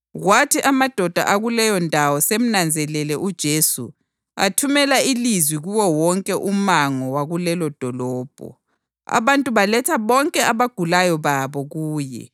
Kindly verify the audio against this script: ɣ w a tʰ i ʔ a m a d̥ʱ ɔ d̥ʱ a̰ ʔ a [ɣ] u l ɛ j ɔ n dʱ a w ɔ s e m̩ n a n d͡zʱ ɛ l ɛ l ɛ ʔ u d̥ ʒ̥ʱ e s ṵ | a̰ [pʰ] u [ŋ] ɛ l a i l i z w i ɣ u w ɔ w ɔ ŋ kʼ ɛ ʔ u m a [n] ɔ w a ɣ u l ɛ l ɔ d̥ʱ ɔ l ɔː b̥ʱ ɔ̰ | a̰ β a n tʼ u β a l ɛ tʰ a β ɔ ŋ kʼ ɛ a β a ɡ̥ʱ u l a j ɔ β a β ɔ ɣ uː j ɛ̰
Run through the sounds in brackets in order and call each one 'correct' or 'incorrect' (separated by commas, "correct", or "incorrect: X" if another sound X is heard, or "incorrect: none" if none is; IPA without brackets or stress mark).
correct, incorrect: tʰ, incorrect: m, incorrect: ŋ